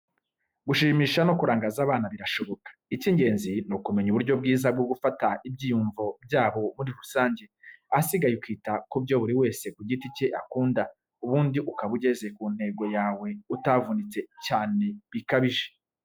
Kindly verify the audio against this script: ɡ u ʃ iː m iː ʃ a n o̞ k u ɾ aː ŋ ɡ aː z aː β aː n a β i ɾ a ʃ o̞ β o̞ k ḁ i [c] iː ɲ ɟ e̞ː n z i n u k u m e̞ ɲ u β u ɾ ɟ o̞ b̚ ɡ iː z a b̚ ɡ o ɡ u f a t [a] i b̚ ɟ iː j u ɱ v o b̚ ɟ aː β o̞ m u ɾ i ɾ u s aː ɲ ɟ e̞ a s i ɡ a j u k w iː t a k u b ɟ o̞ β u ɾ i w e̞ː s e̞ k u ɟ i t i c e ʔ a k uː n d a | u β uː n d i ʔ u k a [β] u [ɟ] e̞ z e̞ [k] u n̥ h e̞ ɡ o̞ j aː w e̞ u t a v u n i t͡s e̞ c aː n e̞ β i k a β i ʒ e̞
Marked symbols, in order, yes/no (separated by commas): yes, yes, yes, yes, yes